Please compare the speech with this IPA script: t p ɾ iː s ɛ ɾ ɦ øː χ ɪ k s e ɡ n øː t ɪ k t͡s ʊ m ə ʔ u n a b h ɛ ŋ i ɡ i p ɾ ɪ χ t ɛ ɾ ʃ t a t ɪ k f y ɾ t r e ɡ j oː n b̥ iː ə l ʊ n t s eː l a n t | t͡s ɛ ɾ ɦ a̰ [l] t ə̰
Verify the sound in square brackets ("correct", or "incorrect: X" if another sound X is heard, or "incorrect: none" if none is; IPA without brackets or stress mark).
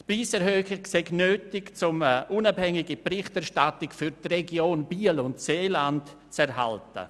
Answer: correct